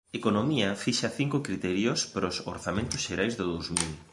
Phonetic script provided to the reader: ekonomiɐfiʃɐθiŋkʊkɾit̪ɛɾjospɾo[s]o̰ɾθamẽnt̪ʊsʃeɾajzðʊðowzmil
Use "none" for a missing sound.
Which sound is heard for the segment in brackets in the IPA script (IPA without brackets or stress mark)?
s